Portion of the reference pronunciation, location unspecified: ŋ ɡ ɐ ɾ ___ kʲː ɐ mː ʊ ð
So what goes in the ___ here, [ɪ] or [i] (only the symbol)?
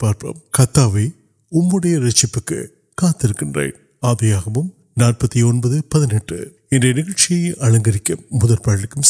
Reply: ɪ